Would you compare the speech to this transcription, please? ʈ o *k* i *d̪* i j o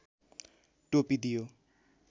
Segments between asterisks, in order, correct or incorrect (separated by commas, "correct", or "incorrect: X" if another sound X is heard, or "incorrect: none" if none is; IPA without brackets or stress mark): incorrect: p, correct